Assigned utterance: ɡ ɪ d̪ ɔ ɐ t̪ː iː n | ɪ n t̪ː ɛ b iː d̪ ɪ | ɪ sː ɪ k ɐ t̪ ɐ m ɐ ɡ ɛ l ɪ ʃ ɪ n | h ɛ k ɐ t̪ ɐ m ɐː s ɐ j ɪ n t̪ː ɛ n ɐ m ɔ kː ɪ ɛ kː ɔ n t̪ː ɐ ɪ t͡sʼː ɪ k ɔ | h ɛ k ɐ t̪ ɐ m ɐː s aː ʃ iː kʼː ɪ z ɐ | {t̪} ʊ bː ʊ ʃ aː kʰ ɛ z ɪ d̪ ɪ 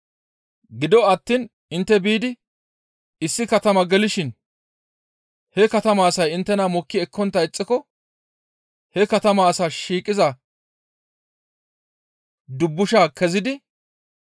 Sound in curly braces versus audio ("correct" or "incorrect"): incorrect